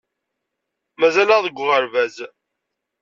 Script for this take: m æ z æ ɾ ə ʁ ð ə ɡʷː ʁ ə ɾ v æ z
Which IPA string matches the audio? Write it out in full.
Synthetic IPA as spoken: m æ z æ l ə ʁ ð ə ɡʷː ʁ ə ɾ v æ z